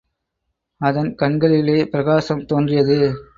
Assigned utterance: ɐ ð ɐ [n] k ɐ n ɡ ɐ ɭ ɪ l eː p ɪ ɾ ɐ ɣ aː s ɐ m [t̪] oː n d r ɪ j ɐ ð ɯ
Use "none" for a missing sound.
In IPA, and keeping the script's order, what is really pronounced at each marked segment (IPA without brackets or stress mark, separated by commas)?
n, t̪